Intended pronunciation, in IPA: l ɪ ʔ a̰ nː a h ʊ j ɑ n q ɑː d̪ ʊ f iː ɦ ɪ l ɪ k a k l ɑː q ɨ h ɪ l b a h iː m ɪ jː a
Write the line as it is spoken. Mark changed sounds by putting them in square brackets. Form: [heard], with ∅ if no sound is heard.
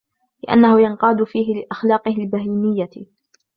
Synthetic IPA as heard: l ɪ ʔ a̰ nː a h ʊ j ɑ n q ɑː d̪ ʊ f iː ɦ ɪ l ɪ [ʔ] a [x] l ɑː q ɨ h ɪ l b a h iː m ɪ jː a